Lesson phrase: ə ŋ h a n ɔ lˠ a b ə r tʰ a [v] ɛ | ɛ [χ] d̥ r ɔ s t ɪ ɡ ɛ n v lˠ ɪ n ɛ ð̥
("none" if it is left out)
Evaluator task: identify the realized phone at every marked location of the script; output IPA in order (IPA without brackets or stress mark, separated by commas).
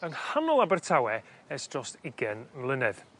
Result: w, s